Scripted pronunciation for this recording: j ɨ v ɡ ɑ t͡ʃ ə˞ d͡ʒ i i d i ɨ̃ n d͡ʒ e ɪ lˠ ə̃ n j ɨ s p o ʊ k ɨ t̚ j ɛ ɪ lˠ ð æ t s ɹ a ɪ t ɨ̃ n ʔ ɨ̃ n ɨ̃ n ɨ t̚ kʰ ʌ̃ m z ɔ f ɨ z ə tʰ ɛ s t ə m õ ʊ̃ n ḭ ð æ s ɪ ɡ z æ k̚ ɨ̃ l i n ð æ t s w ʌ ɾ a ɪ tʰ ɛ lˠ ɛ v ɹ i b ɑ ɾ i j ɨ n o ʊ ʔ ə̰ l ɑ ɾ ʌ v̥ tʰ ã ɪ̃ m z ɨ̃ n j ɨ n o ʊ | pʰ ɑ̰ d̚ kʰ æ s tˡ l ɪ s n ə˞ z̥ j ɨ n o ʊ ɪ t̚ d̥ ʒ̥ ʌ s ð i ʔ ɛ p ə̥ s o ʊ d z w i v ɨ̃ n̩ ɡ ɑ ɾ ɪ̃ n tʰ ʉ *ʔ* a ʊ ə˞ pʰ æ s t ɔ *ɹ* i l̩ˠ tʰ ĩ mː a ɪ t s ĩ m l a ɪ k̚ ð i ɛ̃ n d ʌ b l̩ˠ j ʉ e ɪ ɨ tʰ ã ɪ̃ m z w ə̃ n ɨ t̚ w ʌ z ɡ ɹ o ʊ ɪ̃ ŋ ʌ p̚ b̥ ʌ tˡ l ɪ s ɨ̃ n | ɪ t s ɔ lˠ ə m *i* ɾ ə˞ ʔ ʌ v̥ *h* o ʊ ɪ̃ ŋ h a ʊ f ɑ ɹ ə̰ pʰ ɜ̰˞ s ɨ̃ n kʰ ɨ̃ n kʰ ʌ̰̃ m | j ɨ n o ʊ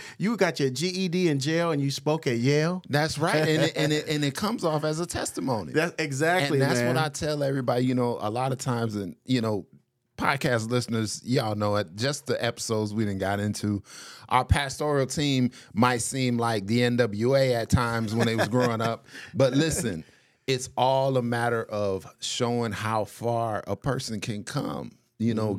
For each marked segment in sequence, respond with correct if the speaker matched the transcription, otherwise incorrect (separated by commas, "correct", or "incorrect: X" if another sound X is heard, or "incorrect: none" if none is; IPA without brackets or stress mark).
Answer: correct, correct, incorrect: æ, incorrect: ʃ